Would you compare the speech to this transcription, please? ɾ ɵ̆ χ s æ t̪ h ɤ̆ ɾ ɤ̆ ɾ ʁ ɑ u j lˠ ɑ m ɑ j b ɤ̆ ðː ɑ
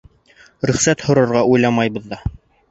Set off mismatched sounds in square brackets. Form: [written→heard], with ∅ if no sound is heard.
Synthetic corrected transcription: ɾ ɵ̆ χ s æ t̪ h [ɤ̆→ŏ] ɾ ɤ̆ ɾ ʁ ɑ u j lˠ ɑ m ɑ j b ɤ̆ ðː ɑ

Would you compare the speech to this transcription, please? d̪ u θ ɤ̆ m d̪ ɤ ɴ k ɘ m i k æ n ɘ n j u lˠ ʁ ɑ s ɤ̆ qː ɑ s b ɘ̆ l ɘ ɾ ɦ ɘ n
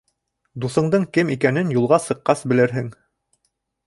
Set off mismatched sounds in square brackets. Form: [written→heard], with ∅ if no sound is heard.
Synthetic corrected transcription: d̪ u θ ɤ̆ [m→ɴ] d̪ ɤ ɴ k ɘ m i k æ n ɘ n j u lˠ ʁ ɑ s ɤ̆ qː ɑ s b ɘ̆ l ɘ ɾ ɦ ɘ [n→ŋ]

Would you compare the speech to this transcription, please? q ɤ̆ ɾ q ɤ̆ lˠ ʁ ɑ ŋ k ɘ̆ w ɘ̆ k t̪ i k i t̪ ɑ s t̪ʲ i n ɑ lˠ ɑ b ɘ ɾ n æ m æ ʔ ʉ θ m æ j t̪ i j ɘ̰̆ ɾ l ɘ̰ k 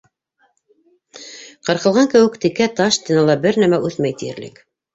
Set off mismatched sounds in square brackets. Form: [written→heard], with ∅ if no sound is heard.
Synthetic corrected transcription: q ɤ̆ ɾ q ɤ̆ lˠ ʁ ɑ ŋ k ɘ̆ w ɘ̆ k t̪ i k [i→æ] t̪ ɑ [s→ʃ] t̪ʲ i n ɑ lˠ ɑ b ɘ ɾ n æ m æ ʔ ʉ θ m æ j t̪ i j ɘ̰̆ ɾ l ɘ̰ k

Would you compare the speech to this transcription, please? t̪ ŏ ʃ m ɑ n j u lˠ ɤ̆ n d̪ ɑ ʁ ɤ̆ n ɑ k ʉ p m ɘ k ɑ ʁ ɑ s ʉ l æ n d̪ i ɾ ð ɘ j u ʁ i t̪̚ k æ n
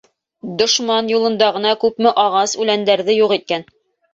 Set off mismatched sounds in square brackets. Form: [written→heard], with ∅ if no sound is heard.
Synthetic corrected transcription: [t̪→d̪] ŏ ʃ m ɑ n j u lˠ ɤ̆ n d̪ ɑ ʁ ɤ̆ n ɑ k ʉ p m ɘ [k→ʔ] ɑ ʁ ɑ s ʉ l æ n d̪ [i→æ] ɾ ð ɘ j u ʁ i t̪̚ k æ n

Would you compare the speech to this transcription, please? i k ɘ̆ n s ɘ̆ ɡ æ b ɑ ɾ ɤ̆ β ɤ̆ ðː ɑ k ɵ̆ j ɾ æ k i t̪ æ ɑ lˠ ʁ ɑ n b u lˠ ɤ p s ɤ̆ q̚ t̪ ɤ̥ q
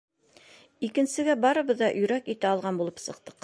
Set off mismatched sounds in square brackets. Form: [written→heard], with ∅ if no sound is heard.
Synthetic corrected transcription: i k ɘ̆ n s ɘ̆ ɡ æ b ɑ ɾ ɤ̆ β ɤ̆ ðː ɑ [k→ʔ] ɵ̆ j ɾ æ k i t̪ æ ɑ lˠ ʁ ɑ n b u lˠ ɤ p s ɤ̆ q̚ t̪ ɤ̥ q

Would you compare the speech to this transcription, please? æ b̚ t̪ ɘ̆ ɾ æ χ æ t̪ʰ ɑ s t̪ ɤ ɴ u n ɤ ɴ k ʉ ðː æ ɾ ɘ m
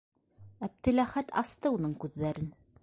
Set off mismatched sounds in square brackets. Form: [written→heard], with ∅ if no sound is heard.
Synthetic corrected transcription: æ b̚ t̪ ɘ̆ [ɾ→l] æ χ æ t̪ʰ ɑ s t̪ ɤ [ɴ→∅] u n ɤ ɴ k ʉ ðː æ ɾ ɘ [m→n]

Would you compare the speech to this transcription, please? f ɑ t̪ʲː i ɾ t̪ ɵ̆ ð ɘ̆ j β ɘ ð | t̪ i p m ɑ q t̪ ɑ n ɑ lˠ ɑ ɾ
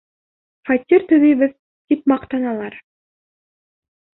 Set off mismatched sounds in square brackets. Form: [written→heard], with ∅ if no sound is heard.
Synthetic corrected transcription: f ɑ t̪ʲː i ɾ t̪ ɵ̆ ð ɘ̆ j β ɘ ð | t̪ i p m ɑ q t̪ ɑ n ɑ lˠ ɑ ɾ

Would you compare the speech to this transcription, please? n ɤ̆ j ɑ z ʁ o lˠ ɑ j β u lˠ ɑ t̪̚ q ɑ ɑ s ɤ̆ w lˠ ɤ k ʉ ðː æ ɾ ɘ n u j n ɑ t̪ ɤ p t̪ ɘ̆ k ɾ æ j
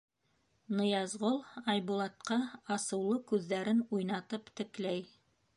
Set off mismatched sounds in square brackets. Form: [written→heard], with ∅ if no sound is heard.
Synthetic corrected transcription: n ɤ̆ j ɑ z ʁ o lˠ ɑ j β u lˠ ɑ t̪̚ q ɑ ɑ s ɤ̆ w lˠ ɤ k ʉ ðː æ ɾ ɘ n u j n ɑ t̪ ɤ p t̪ ɘ̆ k [ɾ→l] æ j

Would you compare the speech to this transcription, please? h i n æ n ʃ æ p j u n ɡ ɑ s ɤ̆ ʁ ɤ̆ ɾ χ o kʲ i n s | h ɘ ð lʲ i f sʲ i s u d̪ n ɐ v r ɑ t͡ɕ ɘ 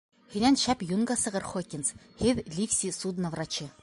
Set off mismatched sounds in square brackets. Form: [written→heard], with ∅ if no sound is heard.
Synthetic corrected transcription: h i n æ n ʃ æ p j u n ɡ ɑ s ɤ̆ ʁ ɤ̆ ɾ χ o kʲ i n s | h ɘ ð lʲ i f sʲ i s u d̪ n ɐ v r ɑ t͡ɕ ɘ

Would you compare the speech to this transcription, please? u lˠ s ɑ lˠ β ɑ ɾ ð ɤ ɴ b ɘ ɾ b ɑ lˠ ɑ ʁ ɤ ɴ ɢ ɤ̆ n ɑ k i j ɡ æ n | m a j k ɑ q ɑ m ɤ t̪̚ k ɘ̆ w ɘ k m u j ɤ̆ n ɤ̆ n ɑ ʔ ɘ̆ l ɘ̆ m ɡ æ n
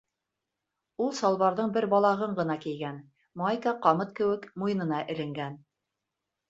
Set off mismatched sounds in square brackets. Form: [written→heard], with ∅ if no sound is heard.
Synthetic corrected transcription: u lˠ s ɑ lˠ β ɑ ɾ ð ɤ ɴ b ɘ ɾ b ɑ lˠ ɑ ʁ ɤ ɴ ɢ ɤ̆ n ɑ k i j ɡ æ n | m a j k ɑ q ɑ m ɤ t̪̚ k ɘ̆ w ɘ k m u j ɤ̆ n ɤ̆ n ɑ ʔ ɘ̆ l ɘ̆ [m→ŋ] ɡ æ n

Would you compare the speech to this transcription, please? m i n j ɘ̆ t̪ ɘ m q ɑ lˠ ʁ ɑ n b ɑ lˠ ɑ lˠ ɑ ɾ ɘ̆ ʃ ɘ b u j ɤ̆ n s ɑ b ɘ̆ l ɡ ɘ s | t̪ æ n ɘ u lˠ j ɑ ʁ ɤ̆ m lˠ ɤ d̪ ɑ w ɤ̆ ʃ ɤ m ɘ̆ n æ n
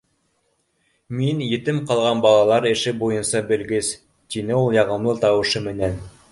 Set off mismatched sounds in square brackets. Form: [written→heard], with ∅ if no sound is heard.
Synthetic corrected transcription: m i n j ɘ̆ t̪ ɘ m q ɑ lˠ ʁ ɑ n b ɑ lˠ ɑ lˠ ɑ ɾ ɘ̆ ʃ ɘ b u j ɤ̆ n s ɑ b ɘ̆ l ɡ ɘ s | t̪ [æ→i] n ɘ u lˠ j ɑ ʁ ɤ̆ m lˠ ɤ [d̪→t̪] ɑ w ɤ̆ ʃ ɤ m ɘ̆ n æ n

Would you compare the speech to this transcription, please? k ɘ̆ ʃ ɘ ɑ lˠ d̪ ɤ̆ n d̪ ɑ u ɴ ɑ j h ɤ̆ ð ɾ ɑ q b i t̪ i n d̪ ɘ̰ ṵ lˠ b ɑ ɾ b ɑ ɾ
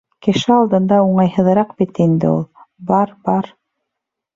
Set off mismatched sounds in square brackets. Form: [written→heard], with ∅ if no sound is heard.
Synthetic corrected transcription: k ɘ̆ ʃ ɘ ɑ lˠ d̪ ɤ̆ n d̪ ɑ u ɴ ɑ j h ɤ̆ ð ɾ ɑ q b i t̪ i n d̪ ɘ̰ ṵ lˠ b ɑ ɾ b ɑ ɾ

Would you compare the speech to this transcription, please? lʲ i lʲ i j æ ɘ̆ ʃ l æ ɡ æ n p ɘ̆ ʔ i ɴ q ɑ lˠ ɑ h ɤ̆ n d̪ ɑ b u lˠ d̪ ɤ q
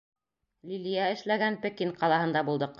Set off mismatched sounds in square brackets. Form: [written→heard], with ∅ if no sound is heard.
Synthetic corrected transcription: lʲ i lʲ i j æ ɘ̆ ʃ l æ ɡ æ n p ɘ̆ [ʔ→k] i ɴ q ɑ lˠ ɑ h ɤ̆ n d̪ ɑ b u lˠ d̪ ɤ q

